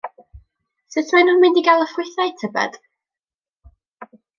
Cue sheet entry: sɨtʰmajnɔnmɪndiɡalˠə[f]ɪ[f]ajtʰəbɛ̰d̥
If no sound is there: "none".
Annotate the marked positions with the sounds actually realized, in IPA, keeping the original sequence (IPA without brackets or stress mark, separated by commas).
f, θ